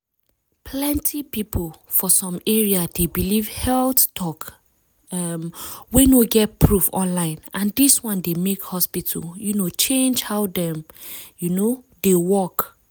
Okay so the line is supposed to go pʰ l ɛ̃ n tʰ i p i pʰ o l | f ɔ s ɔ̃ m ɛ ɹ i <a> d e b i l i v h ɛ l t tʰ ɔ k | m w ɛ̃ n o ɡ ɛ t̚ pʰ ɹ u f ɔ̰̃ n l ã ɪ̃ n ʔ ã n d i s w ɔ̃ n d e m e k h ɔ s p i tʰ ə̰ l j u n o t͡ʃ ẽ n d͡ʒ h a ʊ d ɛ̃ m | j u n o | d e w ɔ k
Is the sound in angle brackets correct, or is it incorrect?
correct